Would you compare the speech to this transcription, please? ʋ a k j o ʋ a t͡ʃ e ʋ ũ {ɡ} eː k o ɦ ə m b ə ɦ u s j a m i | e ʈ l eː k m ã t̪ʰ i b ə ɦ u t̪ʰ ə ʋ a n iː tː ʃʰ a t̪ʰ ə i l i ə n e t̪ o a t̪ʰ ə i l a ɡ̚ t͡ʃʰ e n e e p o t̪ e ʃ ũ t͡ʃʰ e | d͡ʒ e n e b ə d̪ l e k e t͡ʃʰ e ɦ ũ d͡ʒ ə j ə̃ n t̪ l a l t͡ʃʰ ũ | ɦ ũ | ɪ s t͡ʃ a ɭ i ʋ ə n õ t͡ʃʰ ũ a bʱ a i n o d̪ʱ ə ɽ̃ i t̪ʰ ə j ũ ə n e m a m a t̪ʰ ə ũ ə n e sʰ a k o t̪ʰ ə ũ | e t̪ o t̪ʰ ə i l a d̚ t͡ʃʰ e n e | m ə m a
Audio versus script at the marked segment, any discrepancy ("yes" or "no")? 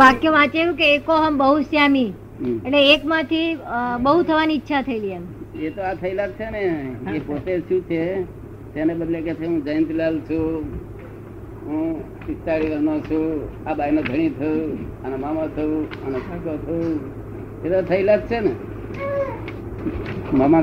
yes